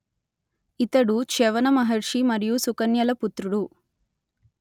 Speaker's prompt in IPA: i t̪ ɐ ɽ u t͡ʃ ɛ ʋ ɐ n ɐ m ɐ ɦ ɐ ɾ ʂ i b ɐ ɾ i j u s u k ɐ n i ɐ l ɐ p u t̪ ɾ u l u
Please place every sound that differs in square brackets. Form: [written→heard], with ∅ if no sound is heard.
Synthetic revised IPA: i t̪ ɐ ɽ u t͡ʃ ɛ ʋ ɐ n ɐ m ɐ ɦ ɐ ɾ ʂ i [b→m] ɐ ɾ i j u s u k ɐ n [i→j] ɐ l ɐ p u t̪ ɾ u [l→ɽ] u